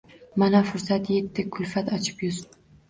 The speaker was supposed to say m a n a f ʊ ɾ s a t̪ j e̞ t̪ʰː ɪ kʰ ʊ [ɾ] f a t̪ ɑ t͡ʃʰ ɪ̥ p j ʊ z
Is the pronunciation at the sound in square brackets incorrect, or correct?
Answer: incorrect